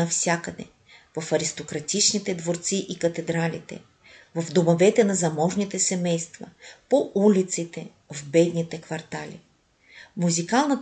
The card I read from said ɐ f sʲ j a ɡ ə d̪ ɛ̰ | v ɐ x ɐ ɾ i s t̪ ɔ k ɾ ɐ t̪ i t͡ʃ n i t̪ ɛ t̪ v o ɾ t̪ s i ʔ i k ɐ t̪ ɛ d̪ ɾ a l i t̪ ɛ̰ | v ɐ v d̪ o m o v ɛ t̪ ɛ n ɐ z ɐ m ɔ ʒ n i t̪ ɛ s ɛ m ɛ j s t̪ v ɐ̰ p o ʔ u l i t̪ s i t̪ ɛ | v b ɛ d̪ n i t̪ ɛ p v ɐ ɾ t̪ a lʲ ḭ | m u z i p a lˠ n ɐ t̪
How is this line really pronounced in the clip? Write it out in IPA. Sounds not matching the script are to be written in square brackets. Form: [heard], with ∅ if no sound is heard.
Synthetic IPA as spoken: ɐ f sʲ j a [k] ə d̪ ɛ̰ | v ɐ [f] ɐ ɾ i s t̪ [o] k ɾ ɐ t̪ i t͡ʃ n i t̪ ɛ [d̪] v o ɾ t̪ s i ʔ i k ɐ t̪ ɛ d̪ ɾ a l i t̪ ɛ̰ | v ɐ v d̪ o m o v ɛ t̪ ɛ n ɐ z ɐ m ɔ ʒ n i t̪ ɛ s ɛ m ɛ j s t̪ v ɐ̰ p o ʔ u l i t̪ s i t̪ ɛ | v b ɛ d̪ n i t̪ ɛ [k] v ɐ ɾ t̪ a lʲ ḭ | m u z i [k] a lˠ n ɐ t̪